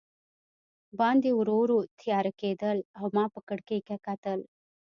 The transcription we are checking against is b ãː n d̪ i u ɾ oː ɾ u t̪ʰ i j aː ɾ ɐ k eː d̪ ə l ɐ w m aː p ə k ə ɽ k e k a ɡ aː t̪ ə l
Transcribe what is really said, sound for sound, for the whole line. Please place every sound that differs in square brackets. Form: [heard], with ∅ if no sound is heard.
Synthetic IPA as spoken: b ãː n d̪ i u ɾ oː ɾ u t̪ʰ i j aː ɾ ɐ k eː d̪ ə l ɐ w m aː p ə k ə ɽ k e k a [k] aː t̪ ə l

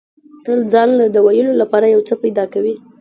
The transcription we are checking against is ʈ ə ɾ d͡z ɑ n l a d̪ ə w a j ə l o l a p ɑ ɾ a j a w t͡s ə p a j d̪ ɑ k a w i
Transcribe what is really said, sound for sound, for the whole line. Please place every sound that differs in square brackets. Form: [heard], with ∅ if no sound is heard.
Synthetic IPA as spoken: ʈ ə [l] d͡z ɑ n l a d̪ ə w a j ə l o l a p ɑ ɾ a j a w t͡s ə p a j d̪ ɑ k a w i

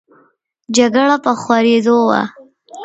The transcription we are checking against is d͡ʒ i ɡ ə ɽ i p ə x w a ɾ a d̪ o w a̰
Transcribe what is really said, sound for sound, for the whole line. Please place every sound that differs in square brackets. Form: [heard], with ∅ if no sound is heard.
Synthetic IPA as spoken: d͡ʒ [a] ɡ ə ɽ [a] p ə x w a ɾ [e] d̪ o w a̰

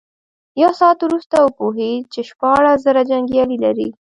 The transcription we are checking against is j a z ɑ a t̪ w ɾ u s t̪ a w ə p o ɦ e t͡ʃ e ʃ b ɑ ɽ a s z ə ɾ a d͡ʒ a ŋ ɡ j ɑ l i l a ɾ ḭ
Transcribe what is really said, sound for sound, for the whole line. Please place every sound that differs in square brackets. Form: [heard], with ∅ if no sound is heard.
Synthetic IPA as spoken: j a [s] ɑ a t̪ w ɾ u s t̪ a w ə p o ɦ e t͡ʃ e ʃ [p] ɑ ɽ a s z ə ɾ a d͡ʒ a ŋ ɡ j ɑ l i l a ɾ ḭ

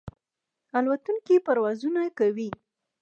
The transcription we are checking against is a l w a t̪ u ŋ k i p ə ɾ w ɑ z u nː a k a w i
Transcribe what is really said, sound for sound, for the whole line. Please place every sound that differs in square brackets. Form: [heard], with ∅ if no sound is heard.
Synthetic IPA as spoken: a l w a t̪ u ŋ k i p [a] ɾ w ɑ z u [n] a k a w i

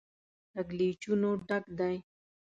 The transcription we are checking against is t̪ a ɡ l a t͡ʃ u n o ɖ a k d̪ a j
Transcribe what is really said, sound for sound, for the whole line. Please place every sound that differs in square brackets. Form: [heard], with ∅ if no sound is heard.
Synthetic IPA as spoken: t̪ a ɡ l [i] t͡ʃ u n o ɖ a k d̪ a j

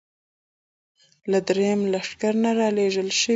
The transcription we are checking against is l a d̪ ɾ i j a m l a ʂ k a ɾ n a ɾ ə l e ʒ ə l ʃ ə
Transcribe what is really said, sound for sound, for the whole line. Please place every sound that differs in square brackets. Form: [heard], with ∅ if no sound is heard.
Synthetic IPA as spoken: l a d̪ ɾ [e] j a m l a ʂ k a ɾ n a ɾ [ɑ] l e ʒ ə l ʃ ə

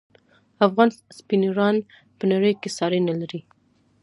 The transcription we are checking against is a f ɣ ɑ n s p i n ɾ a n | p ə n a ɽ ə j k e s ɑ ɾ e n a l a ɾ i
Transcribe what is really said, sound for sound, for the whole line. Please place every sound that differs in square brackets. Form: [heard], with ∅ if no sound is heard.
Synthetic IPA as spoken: a f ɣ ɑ n s p i n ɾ [ɑ] n | p ə n a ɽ ə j k e s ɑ ɾ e n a l a ɾ i

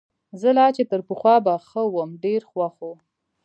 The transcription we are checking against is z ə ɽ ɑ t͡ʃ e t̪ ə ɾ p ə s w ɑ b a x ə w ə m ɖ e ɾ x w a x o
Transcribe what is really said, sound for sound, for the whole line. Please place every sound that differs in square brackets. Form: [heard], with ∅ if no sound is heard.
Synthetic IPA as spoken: z ə [l] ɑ t͡ʃ e t̪ ə ɾ p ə [x] w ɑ b a x ə w ə m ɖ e ɾ x w a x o

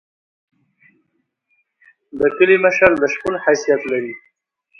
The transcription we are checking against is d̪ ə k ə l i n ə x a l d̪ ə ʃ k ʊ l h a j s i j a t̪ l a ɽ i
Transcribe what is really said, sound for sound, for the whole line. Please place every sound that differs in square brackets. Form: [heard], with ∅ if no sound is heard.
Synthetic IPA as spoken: d̪ ə k ə l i [m] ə [ʃ] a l d̪ ə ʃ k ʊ l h a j s i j a t̪ l a [ɾ] i

